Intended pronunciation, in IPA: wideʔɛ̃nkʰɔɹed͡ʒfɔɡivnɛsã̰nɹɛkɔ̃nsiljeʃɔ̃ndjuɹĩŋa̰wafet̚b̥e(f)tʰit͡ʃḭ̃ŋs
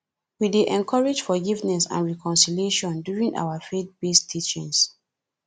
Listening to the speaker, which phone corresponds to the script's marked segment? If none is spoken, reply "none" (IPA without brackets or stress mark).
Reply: s